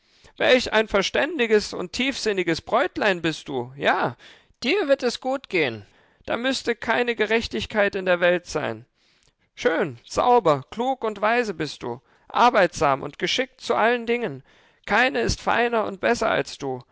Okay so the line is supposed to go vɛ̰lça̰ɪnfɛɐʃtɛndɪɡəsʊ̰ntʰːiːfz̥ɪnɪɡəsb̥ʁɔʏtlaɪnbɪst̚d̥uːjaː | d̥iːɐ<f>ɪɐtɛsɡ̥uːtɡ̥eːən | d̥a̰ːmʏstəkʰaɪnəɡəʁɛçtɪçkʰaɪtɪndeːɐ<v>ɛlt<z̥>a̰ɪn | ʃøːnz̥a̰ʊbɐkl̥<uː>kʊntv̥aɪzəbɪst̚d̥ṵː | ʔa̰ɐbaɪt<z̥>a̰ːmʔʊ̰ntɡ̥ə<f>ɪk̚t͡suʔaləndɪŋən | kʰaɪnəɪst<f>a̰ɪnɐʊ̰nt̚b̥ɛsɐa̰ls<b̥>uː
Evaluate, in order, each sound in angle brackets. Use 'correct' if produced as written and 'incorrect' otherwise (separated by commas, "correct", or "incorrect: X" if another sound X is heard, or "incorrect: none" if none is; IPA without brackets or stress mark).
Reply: incorrect: v, correct, correct, correct, correct, incorrect: ʃ, correct, incorrect: d̥